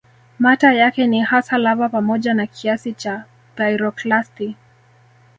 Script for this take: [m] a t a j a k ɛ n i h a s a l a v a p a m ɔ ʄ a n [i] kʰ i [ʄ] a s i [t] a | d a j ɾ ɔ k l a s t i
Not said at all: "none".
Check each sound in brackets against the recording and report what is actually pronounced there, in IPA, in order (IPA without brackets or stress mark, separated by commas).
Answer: m, a, none, t͡ʃ